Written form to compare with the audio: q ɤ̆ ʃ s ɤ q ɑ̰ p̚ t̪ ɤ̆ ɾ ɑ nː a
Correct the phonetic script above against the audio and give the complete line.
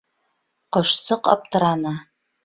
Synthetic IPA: q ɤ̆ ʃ s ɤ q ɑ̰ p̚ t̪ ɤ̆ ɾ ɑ n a